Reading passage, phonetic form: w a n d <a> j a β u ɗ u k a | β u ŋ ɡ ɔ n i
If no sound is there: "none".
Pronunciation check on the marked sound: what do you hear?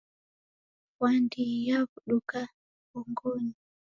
i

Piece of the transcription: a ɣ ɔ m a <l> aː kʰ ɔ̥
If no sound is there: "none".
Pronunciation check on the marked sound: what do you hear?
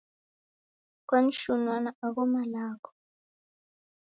l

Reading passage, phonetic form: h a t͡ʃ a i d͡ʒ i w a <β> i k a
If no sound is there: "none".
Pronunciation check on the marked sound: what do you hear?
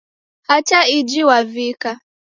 v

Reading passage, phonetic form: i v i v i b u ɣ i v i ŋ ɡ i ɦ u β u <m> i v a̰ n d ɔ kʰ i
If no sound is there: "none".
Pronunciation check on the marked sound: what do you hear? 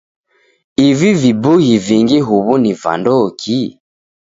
n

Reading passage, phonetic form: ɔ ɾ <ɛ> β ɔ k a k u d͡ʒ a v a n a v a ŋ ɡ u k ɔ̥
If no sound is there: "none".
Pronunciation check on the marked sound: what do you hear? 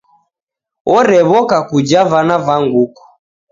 ɛ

